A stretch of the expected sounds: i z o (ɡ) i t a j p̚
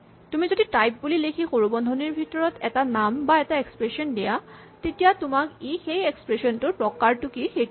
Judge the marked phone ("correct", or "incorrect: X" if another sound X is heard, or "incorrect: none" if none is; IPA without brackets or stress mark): incorrect: d